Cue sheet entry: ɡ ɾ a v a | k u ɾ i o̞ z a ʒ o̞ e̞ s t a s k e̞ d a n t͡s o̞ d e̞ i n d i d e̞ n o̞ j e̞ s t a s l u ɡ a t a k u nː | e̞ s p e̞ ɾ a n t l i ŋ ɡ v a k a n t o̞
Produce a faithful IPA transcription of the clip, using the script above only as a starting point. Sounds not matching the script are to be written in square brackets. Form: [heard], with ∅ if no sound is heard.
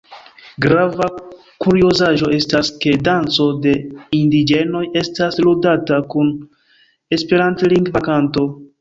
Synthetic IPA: ɡ ɾ a v a | k u ɾ i o̞ z a ʒ o̞ e̞ s t a s k e̞ d a n t͡s o̞ d e̞ i n d i [d͡ʒ] e̞ n o̞ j e̞ s t a s l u [d] a t a k u [n] | e̞ s p e̞ ɾ a n t l i ŋ ɡ v a k a n t o̞